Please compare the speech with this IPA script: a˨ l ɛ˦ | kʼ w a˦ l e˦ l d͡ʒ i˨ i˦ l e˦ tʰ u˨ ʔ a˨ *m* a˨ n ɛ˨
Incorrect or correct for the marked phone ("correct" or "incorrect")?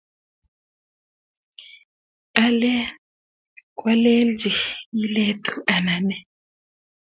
incorrect